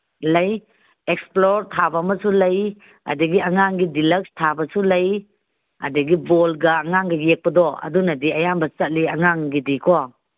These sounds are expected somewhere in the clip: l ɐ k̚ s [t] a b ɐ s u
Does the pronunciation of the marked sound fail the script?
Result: yes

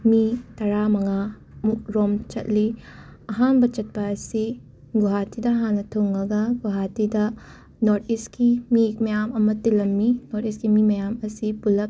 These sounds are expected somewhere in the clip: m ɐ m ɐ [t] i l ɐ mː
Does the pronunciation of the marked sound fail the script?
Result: no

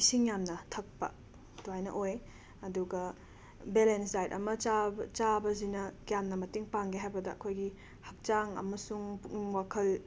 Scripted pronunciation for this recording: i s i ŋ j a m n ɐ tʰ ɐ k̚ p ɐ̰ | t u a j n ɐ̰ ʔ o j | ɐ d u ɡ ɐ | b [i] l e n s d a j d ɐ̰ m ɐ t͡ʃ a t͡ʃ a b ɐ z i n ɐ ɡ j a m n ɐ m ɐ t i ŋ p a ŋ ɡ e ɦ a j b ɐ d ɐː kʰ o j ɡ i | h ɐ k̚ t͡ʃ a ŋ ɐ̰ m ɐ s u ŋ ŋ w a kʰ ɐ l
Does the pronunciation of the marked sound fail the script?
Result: yes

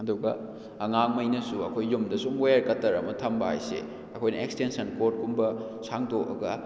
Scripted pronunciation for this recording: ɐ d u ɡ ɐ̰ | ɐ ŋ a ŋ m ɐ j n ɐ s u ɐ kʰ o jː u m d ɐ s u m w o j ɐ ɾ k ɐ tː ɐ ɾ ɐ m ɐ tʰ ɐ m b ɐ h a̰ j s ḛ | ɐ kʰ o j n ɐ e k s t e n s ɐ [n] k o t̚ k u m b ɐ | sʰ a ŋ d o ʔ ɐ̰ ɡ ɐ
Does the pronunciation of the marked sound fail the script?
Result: no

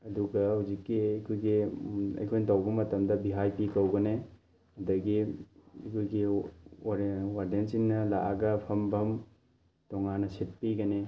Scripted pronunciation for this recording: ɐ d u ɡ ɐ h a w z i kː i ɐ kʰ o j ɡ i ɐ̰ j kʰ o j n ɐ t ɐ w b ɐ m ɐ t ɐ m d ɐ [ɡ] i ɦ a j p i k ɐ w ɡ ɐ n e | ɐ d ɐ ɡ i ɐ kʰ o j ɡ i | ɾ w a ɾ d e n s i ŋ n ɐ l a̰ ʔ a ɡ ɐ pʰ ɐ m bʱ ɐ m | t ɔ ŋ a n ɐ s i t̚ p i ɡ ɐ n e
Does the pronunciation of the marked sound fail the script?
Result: yes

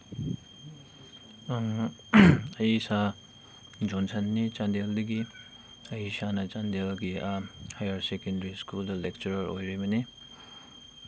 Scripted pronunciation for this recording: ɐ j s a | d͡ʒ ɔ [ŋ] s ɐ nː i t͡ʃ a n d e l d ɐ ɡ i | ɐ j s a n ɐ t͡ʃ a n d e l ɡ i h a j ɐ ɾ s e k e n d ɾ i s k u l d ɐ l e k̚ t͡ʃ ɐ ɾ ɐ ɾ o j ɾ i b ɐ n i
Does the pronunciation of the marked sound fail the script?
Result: yes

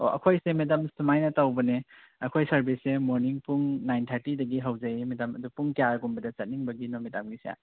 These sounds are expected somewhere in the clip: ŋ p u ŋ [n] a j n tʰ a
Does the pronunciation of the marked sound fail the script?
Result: no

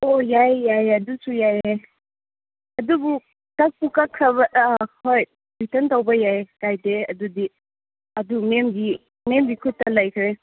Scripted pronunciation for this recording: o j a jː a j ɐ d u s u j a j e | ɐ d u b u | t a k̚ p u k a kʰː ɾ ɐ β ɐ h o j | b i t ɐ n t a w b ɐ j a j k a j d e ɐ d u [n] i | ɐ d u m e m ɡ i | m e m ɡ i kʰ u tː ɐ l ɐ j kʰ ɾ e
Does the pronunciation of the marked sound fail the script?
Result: yes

